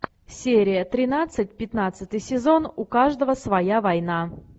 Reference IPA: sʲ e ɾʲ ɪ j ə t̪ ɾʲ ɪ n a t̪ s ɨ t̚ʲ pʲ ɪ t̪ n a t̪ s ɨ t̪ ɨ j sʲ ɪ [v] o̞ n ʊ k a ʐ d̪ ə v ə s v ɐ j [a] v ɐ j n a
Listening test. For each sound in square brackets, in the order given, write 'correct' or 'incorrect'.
incorrect, correct

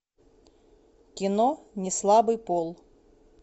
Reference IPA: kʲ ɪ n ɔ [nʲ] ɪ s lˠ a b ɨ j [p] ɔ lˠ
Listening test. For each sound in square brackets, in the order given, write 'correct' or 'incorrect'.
correct, correct

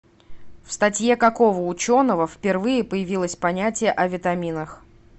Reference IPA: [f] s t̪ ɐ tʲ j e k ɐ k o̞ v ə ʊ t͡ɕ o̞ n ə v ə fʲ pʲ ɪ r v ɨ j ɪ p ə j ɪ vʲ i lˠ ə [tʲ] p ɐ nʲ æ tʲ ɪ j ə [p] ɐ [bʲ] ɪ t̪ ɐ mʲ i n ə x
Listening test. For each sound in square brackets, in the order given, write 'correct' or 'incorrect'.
correct, incorrect, incorrect, incorrect

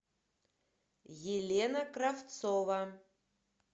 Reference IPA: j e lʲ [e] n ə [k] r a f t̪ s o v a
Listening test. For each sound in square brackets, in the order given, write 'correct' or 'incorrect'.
correct, correct

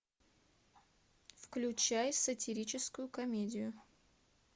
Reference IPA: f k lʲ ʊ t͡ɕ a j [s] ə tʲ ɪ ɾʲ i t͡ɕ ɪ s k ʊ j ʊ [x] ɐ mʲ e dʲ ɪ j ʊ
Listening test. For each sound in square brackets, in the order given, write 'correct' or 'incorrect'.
correct, incorrect

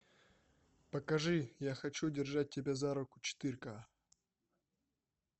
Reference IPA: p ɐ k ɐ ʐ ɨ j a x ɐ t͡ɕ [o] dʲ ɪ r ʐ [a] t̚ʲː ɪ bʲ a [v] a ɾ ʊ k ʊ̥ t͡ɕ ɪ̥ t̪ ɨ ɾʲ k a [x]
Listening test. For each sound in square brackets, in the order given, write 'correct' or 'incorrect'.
incorrect, correct, incorrect, incorrect

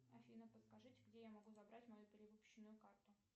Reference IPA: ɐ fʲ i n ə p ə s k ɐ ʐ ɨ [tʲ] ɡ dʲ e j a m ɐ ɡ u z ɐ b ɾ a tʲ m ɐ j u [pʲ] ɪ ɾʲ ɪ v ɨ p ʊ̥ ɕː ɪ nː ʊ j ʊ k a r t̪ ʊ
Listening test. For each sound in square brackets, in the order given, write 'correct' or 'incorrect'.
correct, correct

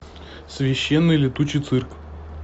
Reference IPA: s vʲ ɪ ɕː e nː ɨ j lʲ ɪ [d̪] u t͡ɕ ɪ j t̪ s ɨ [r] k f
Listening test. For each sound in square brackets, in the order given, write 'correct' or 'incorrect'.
incorrect, correct

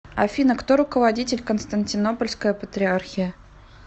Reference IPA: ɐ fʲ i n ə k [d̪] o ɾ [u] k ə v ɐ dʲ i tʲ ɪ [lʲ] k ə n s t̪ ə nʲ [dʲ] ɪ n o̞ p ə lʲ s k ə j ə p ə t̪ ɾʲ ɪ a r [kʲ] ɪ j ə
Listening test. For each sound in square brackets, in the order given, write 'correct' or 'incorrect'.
incorrect, incorrect, correct, incorrect, incorrect

